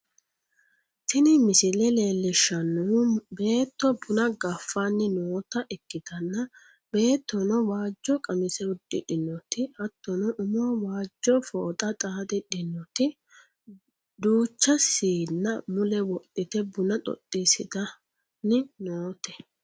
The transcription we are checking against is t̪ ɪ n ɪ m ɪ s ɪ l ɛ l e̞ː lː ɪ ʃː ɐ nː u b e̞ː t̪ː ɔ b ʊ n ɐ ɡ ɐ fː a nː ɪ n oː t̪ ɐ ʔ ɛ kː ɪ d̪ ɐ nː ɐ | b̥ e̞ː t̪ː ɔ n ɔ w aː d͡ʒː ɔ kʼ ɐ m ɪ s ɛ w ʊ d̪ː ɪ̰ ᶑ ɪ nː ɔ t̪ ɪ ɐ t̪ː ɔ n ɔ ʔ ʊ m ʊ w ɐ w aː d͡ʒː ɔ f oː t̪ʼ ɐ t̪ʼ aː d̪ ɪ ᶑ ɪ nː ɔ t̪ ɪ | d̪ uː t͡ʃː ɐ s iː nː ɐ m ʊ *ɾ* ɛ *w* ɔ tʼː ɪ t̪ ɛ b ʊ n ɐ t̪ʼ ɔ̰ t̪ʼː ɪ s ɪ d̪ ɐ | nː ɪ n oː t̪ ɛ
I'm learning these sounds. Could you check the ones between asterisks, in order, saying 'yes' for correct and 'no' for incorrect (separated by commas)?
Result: no, yes